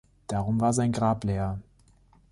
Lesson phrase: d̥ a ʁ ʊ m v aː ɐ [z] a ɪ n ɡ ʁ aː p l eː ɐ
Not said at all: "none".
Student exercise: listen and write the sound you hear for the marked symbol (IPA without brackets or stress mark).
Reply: z